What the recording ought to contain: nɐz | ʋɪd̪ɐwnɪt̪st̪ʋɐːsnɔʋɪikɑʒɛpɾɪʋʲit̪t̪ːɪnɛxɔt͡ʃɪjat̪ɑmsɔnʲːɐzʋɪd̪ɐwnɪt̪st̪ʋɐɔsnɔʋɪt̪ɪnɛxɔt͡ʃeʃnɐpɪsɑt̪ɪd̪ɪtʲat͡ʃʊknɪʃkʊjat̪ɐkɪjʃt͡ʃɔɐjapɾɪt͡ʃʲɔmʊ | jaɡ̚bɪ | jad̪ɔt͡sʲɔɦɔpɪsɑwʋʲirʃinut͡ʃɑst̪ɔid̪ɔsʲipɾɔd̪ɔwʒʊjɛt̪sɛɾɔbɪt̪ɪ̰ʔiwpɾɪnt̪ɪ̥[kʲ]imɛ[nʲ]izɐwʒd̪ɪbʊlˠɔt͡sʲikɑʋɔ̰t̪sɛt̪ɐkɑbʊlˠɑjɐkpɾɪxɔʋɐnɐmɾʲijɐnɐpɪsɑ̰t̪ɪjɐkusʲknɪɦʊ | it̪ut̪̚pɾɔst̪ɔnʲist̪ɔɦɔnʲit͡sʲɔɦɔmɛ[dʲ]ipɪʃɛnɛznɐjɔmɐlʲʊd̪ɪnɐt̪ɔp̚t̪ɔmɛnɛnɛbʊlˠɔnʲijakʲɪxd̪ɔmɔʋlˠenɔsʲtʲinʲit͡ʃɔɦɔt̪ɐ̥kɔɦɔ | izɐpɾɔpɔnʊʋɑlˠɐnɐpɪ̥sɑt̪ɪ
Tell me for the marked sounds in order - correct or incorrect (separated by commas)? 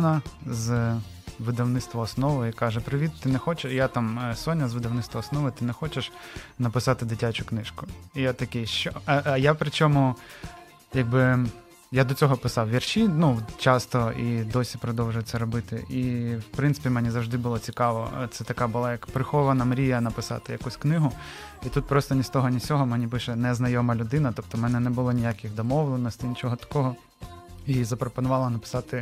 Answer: incorrect, correct, incorrect